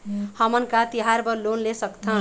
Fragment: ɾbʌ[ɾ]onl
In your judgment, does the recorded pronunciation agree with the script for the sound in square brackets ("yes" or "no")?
no